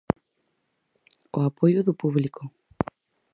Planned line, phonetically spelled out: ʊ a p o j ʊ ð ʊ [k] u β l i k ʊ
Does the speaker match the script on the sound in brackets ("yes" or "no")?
no